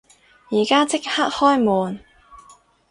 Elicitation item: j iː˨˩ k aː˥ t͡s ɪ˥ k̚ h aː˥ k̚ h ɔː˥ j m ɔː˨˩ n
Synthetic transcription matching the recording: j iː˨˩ k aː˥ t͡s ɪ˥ k̚ h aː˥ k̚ h ɔː˥ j m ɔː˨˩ n